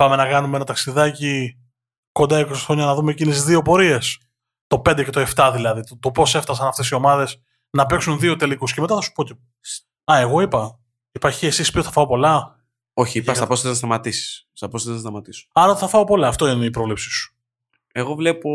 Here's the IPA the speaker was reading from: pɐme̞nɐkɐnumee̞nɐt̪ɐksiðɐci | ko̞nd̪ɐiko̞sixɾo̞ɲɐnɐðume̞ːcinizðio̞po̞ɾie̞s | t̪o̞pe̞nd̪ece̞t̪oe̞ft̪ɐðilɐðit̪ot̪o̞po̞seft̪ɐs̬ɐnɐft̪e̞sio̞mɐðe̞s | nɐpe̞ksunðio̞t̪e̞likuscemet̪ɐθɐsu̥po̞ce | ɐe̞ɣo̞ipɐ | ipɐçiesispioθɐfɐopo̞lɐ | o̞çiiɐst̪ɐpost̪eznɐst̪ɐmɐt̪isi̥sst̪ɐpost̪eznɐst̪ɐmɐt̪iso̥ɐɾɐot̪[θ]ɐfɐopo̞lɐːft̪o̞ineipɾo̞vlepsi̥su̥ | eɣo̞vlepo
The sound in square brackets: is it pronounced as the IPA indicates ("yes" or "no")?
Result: yes